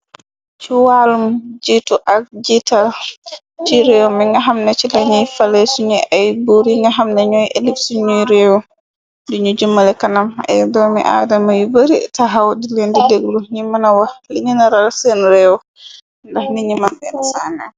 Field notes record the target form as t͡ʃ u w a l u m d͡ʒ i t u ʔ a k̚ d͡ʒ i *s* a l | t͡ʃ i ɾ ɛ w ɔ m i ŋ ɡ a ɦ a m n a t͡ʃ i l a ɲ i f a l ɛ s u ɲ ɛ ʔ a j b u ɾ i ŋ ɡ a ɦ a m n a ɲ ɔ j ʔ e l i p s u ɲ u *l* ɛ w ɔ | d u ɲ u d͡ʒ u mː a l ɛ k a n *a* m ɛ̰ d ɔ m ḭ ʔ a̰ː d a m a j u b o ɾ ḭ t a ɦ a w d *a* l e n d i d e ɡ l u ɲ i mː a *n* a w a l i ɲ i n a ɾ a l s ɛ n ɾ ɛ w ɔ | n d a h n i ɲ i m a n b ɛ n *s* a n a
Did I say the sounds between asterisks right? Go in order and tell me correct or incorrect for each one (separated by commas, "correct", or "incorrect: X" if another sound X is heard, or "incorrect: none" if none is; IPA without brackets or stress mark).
incorrect: t, incorrect: ɾ, correct, incorrect: i, correct, correct